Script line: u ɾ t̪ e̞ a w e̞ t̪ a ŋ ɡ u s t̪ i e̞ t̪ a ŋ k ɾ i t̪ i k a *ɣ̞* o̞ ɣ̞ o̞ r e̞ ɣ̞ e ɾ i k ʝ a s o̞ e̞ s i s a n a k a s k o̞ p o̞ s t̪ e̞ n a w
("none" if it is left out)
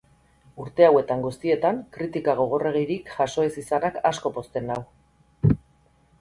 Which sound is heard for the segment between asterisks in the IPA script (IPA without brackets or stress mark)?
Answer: ɣ̞